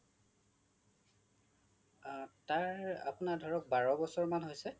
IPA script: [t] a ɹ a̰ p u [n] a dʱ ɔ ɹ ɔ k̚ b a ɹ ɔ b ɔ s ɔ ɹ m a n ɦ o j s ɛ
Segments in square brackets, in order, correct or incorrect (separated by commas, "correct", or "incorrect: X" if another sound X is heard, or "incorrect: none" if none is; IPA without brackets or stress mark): correct, correct